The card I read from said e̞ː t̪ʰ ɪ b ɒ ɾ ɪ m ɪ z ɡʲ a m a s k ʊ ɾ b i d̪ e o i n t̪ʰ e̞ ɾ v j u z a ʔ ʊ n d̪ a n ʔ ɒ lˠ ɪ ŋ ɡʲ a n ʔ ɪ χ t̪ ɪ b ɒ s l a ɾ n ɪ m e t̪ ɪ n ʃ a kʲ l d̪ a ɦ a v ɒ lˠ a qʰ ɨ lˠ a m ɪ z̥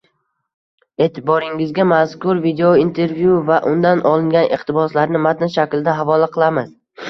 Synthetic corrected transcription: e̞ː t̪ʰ ɪ b ɒ ɾ ɪ ŋ ɪ z ɡʲ a m a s k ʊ ɾ v i d̪ e o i n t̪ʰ e̞ ɾ v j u v a ʔ ʊ n d̪ a n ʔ ɒ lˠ ɪ ŋ ɡʲ a n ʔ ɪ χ t̪ ɪ b ɒ s l a ɾ n ɪ m a t̪ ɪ n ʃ a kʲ l d̪ a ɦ a v ɒ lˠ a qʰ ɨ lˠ a m ɪ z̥

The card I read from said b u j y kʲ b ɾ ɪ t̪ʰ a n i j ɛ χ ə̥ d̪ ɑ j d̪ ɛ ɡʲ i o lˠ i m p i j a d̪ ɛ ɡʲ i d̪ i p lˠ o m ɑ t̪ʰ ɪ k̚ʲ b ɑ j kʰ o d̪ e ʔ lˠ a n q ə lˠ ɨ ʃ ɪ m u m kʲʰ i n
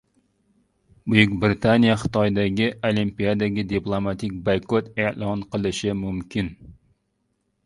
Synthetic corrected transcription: b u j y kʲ b ɾ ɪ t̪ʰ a n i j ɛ χ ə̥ t̪ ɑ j d̪ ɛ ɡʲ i o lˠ i m p i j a d̪ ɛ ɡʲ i d̪ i p lˠ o m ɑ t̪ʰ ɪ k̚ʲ b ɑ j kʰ o t̪ e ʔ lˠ ɑ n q ə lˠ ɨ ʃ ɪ m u m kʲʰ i n

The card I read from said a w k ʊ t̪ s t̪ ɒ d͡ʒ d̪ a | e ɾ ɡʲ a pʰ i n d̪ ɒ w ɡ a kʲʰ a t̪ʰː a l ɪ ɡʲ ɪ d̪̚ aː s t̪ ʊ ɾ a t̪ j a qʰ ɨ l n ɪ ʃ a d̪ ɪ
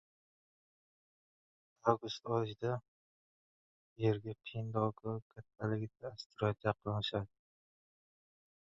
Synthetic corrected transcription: a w ɡ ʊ s t̪ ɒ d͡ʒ d̪ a | e ɾ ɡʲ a pʰ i n d̪ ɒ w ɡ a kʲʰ a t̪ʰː a l ɪ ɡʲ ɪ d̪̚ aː s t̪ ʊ ɾ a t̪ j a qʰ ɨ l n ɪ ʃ a d̪ ɪ

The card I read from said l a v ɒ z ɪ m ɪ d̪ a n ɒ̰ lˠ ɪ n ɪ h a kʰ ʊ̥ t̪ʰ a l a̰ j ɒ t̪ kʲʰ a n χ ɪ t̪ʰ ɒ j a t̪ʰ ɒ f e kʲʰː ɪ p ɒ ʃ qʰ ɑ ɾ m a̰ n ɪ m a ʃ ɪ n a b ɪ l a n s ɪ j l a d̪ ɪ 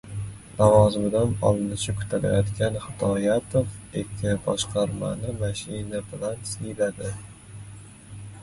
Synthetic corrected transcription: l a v ɒ z ɪ m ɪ d̪ a n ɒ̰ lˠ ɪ n ɪ ʃ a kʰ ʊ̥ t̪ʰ a l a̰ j ɒ t̪ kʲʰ a n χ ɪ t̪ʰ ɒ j a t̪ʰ o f e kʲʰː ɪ b ɒ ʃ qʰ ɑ ɾ m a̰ n ɪ m a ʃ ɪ n a b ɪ l a n s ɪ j l a d̪ ɪ

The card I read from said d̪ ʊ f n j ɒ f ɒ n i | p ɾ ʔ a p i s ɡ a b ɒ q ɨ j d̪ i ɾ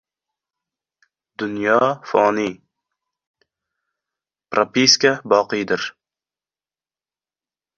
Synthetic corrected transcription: d̪ ʊ n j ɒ f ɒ n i | p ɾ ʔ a p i s k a b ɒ q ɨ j d̪ ɪ ɾ

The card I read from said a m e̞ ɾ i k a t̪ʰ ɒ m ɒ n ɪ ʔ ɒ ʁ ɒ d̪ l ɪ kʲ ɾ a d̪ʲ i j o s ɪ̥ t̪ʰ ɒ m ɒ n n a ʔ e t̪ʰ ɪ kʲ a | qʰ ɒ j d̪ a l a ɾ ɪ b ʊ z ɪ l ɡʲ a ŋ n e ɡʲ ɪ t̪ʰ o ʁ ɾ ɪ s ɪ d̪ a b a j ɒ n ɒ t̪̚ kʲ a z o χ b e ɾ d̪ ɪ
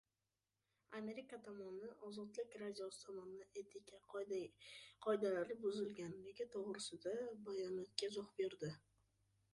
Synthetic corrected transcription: a m e̞ ɾ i k a t̪ʰ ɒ m ɒ n ɪ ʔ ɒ z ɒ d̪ l ɪ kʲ ɾ a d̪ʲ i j o s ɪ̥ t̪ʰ ɒ m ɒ n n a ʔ e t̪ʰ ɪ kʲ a | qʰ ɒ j d̪ a l a ɾ ɪ b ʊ z ɪ l ɡʲ a n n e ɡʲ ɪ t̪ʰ o ʁ ɾ ɪ s ɪ d̪ a b a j ɒ n ɒ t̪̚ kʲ a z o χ b e ɾ d̪ ɪ

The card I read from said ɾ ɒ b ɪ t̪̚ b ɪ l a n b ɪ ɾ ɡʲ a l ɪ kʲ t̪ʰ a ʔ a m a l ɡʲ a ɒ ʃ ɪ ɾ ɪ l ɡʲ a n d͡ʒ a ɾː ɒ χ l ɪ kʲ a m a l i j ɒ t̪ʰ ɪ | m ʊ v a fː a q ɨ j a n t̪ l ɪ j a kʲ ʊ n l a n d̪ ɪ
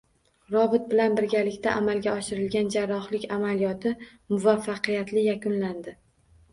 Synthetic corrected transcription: ɾ ɒ b ɪ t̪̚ b ɪ l a n b ɪ ɾ ɡʲ a l ɪ kʲ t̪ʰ a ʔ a m a l ɡʲ a ɒ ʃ ɪ ɾ ɪ l ɡʲ a n d͡ʒ a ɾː ɒ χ l ɪ kʲ a m a l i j ɒ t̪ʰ ɪ | m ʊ v a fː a q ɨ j a t̪ l ɪ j a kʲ ʊ n l a n d̪ ɪ

